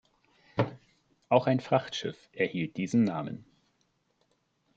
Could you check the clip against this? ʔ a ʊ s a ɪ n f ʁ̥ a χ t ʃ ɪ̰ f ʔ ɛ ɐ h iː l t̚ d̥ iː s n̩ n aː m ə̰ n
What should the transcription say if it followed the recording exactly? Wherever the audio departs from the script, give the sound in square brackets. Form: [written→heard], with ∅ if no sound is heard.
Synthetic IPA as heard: ʔ a ʊ [s→x] a ɪ n f ʁ̥ a χ t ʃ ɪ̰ f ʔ ɛ ɐ h iː l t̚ d̥ iː [s→z] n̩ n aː m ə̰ n

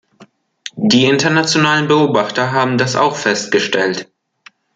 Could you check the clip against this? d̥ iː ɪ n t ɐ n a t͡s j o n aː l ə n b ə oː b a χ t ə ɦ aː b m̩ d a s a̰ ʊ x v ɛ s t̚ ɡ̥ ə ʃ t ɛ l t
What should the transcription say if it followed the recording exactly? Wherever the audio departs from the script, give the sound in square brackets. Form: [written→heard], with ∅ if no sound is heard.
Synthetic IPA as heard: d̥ iː ɪ n t ɐ n a t͡s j o n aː l ə n b ə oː b a χ t [ə→ɐ] ɦ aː b m̩ d a s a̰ ʊ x [v→f] ɛ s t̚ ɡ̥ ə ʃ t ɛ l t

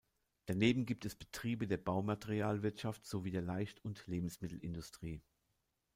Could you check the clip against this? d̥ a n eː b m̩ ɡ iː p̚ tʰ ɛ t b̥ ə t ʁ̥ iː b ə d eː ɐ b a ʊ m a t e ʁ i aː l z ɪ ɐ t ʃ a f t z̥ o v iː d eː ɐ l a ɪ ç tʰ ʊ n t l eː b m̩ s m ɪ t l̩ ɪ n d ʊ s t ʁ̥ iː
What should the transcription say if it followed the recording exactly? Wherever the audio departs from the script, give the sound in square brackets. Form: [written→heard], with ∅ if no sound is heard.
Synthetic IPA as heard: d̥ a n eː b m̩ ɡ iː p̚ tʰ ɛ [t→s] b̥ ə t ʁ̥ iː b ə d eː ɐ b a ʊ m a t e ʁ i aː l [z→v] ɪ ɐ t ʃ a f t z̥ o v iː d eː ɐ l a ɪ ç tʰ ʊ n t l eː b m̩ s m ɪ t l̩ ɪ n d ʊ s t ʁ̥ iː

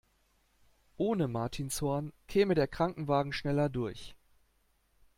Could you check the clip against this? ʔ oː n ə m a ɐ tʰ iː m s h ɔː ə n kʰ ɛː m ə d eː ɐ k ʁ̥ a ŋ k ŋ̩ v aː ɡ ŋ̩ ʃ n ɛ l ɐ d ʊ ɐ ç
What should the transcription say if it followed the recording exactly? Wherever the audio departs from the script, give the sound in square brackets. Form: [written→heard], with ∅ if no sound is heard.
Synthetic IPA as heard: ʔ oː n ə m a ɐ tʰ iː [m→n] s h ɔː [ə→ɐ] n kʰ ɛː m ə d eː ɐ k ʁ̥ a ŋ k ŋ̩ v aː ɡ ŋ̩ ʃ n ɛ l ɐ d ʊ ɐ ç

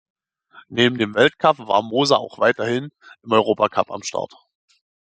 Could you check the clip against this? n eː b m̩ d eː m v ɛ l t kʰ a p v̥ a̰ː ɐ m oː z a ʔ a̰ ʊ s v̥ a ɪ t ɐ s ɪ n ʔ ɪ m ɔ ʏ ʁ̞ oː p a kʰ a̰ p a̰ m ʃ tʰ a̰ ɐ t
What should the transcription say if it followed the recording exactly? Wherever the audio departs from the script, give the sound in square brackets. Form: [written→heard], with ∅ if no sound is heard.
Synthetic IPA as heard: n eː b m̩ d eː m v ɛ l t kʰ a p v̥ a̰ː ɐ m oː z a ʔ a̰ ʊ [s→x] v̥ a ɪ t ɐ [s→h] ɪ n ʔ ɪ m ɔ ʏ ʁ̞ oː p a kʰ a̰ p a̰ m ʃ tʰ a̰ ɐ t

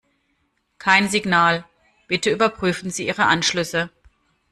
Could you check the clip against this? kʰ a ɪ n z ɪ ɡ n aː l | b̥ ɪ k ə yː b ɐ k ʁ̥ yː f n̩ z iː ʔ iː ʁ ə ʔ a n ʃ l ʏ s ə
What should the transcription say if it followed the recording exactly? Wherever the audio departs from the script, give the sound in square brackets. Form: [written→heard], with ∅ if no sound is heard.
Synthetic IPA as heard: kʰ a ɪ n z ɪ ɡ n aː l | b̥ ɪ [k→t] ə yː b ɐ [k→p] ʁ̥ yː f n̩ z iː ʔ iː ʁ ə ʔ a n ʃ l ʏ s ə

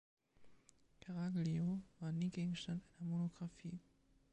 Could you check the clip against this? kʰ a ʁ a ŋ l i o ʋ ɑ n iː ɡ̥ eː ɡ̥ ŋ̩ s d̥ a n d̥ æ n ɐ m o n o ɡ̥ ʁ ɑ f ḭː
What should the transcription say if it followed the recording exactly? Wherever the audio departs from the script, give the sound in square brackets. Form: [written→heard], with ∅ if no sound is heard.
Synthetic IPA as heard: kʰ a ʁ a [ŋ→ɡ] l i o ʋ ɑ n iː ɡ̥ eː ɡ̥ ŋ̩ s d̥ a n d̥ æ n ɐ m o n o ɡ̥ ʁ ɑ f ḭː

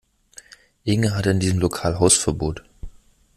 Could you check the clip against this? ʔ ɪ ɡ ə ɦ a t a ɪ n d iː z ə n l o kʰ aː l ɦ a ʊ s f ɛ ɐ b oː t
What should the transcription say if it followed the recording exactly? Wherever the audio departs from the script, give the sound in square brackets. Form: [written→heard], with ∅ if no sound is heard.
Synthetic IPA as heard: ʔ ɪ [ɡ→ŋ] ə ɦ a t [a→ə] ɪ n d iː z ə [n→m] l o kʰ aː l ɦ a ʊ s f ɛ ɐ b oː t

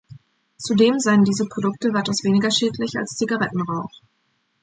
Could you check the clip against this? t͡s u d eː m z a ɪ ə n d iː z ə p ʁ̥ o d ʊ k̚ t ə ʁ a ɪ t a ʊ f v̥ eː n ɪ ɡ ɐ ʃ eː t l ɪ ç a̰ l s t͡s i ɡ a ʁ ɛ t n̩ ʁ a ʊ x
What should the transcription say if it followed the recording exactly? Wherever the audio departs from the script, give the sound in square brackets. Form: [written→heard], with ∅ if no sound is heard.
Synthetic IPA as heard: t͡s u d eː m z a ɪ ə n d iː z ə p ʁ̥ o d ʊ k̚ t ə [ʁ→v] a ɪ t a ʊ [f→s] v̥ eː n ɪ ɡ ɐ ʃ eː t l ɪ ç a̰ l s t͡s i ɡ a ʁ ɛ t n̩ ʁ a ʊ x

